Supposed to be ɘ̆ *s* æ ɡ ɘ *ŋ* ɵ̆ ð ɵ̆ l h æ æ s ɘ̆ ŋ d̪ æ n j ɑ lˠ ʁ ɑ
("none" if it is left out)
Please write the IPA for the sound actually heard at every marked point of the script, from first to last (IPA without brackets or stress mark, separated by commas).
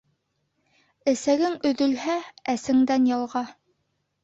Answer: s, ŋ